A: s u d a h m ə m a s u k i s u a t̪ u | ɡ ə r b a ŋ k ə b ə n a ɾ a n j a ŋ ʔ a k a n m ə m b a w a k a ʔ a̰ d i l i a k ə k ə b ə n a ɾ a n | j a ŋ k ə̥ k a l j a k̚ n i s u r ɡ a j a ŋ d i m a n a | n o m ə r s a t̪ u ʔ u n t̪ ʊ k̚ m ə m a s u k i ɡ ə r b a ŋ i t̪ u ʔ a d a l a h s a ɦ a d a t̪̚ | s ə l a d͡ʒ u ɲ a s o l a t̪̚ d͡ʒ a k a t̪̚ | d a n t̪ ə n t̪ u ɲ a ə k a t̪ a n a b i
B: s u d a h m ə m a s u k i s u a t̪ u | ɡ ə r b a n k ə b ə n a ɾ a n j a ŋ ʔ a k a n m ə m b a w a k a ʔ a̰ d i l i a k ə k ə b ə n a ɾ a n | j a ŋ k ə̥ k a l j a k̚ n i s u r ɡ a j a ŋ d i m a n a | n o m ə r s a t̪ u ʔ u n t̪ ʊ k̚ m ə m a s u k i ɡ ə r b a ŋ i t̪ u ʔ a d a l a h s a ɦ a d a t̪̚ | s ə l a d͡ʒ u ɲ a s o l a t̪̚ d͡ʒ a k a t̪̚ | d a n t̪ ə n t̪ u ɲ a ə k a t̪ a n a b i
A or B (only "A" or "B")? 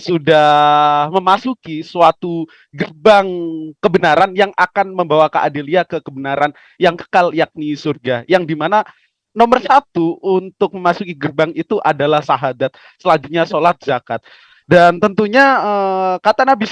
A